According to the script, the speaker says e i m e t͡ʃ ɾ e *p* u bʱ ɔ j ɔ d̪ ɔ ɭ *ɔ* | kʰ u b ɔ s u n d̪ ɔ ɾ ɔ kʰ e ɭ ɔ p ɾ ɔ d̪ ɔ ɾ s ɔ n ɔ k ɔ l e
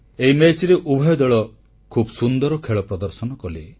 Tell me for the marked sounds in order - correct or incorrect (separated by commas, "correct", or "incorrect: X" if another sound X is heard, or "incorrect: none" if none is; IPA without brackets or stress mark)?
incorrect: ʔ, correct